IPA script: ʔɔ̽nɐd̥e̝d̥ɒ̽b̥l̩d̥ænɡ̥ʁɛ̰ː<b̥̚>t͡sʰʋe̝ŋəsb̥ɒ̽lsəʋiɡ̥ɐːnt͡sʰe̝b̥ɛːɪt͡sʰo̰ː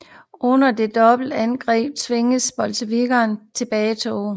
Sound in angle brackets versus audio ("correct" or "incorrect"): correct